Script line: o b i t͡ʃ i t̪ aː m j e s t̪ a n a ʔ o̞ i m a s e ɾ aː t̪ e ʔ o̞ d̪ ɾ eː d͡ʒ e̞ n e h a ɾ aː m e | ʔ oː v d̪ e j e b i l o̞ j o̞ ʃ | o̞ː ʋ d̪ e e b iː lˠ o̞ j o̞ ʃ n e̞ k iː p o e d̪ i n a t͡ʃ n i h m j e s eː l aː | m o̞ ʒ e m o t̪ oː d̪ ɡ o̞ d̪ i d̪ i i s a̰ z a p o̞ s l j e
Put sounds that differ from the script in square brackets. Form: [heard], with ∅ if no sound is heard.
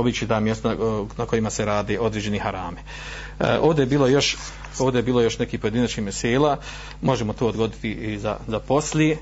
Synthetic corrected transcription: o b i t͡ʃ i t̪ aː m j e s t̪ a n a [k] o̞ i m a s e ɾ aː [d̪] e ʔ o̞ d̪ ɾ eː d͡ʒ e̞ n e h a ɾ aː m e | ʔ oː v d̪ e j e b [iː] l o̞ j o̞ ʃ | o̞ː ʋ d̪ e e b iː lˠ o̞ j o̞ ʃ n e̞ k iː p o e d̪ i n a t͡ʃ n i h m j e s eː l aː | m o̞ ʒ e m o t̪ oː d̪ ɡ o̞ d̪ i [t̪] i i [z] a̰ z a p o̞ s l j e